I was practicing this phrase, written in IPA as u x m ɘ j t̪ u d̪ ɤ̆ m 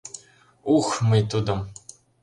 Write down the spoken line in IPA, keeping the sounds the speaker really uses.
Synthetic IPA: u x m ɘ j t̪ u d̪ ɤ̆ m